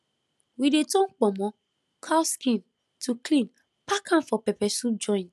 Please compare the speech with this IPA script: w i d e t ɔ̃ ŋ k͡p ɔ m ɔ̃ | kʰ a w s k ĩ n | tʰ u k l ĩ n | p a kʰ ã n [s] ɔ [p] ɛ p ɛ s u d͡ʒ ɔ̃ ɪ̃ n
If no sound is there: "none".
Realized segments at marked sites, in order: f, p

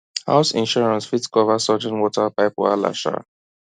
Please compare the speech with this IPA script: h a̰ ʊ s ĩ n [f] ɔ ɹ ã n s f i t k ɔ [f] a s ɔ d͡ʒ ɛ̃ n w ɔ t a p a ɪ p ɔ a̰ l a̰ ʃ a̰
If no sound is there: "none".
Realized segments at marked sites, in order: ʃ, v

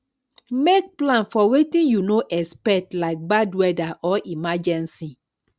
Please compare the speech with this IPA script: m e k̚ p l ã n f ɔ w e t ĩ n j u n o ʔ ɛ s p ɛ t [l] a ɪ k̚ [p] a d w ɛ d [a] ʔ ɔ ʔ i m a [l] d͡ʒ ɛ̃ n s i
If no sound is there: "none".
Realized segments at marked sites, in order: l, b, a, none

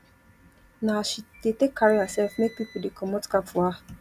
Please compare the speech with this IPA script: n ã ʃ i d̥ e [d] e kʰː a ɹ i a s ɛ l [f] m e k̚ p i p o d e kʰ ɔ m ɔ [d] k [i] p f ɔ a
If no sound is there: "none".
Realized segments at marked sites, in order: t, f, t, a

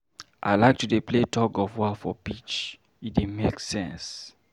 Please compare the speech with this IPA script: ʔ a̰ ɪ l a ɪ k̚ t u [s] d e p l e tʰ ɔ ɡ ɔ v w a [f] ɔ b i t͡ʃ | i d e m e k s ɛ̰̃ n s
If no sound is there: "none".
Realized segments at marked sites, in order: none, f

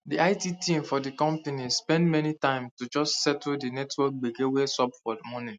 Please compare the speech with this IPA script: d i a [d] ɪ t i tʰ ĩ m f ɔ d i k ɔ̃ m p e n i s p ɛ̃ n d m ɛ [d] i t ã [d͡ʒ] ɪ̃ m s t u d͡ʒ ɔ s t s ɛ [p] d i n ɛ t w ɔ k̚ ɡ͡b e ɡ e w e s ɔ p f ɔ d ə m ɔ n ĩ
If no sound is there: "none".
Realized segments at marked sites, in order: none, n, none, t

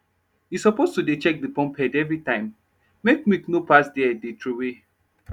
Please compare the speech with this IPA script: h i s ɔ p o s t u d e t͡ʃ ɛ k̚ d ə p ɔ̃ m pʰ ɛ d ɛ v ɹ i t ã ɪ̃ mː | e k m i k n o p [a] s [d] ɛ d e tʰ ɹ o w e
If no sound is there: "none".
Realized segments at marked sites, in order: a, d

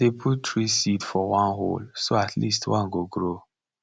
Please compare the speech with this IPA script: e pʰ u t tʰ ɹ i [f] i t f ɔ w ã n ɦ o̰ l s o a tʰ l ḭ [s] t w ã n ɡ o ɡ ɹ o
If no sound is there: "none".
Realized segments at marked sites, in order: s, s

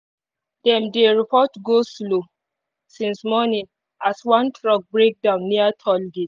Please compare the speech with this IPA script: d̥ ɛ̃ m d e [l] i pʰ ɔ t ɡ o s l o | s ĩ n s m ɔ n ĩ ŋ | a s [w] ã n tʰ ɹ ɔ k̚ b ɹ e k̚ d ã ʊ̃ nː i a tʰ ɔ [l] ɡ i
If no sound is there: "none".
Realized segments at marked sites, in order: ɹ, w, l

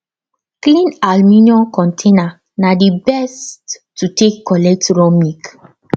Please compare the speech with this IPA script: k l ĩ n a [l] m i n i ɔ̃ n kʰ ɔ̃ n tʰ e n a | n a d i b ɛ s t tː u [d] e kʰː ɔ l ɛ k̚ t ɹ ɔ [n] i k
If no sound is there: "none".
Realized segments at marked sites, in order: l, t, m

